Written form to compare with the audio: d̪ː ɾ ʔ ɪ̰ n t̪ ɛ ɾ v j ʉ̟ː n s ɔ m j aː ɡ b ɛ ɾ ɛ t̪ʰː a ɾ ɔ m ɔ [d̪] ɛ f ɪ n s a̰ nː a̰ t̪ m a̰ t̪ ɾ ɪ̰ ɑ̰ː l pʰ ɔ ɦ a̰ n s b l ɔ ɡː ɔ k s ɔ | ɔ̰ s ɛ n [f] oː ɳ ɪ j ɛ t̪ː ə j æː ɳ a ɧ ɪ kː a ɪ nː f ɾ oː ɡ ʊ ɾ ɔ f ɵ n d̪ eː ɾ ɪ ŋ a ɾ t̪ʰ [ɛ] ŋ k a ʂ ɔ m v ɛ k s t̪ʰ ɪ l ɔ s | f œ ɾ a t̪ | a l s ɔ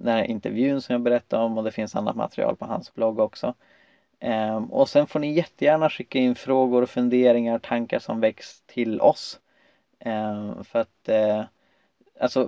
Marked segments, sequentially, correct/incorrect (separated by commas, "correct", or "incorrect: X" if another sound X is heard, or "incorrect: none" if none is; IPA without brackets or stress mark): correct, correct, incorrect: a